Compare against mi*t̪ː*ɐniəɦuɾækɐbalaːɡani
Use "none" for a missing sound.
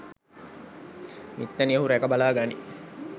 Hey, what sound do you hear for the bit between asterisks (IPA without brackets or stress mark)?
t̪ː